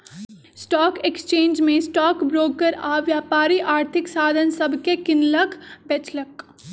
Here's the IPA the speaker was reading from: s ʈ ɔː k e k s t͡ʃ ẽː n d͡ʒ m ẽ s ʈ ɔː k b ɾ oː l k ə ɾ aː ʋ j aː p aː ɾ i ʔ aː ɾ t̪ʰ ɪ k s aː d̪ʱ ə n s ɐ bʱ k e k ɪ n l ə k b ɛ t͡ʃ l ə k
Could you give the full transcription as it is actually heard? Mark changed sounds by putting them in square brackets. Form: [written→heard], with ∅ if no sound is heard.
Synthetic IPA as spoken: s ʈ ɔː k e k s t͡ʃ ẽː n d͡ʒ m ẽ s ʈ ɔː k b ɾ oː [l→∅] k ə ɾ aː ʋ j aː p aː ɾ i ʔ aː ɾ t̪ʰ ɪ k s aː d̪ʱ ə n s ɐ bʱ k e k ɪ n l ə k b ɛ t͡ʃ l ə k